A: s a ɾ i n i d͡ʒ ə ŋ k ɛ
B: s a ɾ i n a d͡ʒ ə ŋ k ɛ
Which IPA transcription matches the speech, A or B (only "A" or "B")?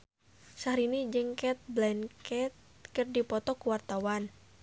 A